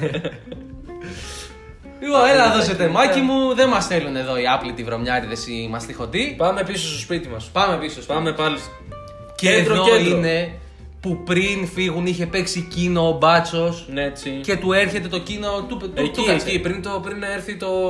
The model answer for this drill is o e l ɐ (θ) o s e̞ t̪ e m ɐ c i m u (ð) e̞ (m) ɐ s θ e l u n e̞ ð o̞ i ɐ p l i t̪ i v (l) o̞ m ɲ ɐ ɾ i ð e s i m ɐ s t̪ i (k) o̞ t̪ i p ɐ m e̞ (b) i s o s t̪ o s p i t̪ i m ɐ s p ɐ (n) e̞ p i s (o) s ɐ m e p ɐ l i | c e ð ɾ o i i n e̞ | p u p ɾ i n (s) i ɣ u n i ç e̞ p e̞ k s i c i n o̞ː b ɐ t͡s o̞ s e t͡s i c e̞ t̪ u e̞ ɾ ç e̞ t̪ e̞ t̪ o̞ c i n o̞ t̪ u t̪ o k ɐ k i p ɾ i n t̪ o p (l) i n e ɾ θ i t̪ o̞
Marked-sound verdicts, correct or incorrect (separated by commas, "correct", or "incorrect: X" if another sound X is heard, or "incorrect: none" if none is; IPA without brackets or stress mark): incorrect: ð, correct, correct, incorrect: ɾ, incorrect: x, incorrect: p, incorrect: m, correct, incorrect: f, incorrect: ɾ